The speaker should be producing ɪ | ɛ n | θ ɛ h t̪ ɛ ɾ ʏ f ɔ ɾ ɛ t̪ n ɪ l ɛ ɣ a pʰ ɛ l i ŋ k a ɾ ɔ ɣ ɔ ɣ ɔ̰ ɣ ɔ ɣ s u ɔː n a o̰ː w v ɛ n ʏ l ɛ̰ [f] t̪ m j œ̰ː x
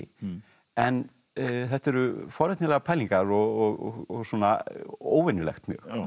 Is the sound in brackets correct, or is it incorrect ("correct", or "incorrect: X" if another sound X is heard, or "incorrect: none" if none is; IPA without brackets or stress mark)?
incorrect: x